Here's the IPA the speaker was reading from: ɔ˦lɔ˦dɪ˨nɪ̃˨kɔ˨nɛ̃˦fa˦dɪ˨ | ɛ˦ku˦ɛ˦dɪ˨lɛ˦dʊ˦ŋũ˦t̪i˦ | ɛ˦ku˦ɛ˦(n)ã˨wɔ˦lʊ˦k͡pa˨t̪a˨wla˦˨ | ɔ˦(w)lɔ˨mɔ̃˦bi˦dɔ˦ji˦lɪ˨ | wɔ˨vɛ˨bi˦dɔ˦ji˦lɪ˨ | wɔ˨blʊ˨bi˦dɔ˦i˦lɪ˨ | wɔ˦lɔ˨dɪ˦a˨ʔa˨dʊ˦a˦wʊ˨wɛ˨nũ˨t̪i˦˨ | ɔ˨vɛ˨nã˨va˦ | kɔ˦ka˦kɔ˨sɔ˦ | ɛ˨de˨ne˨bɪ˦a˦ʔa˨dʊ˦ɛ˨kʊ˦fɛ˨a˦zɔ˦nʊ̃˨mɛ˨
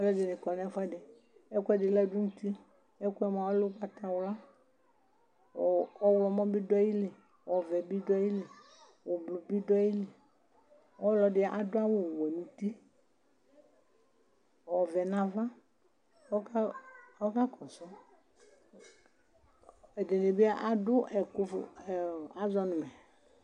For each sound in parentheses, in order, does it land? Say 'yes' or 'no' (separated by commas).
no, yes